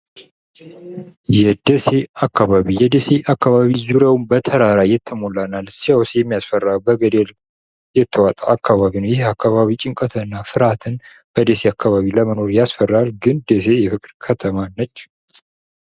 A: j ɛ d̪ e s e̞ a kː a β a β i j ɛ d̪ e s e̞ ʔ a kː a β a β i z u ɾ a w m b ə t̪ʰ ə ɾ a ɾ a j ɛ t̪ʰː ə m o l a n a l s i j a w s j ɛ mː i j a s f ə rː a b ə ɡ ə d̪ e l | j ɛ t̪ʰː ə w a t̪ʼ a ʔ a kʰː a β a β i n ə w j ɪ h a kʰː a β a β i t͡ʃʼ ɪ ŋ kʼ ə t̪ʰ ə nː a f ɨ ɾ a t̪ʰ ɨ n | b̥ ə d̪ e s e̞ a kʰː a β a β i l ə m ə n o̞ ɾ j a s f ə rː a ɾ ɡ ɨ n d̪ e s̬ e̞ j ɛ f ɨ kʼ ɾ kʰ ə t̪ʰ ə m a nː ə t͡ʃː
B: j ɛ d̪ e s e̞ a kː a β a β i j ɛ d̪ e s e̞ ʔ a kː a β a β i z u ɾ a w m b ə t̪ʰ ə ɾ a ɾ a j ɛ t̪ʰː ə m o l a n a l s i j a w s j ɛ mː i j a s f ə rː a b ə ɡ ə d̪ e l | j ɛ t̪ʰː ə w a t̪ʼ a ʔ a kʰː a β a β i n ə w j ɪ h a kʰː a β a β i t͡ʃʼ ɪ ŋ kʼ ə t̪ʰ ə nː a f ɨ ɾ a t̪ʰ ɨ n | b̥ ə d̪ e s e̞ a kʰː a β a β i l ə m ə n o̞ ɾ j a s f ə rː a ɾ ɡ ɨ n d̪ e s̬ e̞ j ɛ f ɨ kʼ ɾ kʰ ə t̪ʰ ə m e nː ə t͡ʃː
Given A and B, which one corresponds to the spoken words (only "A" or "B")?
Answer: A